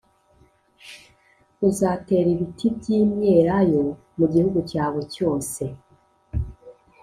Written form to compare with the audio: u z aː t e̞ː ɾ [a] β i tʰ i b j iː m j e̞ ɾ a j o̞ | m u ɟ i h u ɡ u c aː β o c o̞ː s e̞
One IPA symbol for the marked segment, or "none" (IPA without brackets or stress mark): i